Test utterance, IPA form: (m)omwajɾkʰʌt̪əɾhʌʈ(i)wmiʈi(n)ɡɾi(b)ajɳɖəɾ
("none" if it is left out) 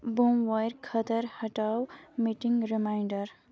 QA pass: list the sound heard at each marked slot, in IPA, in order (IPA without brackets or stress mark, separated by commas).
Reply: b, a, ŋ, m